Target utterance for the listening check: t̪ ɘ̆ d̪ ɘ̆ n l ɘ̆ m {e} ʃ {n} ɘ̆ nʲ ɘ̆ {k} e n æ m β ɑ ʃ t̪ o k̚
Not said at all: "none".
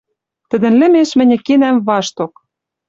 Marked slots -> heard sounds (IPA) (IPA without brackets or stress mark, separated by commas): e, m, k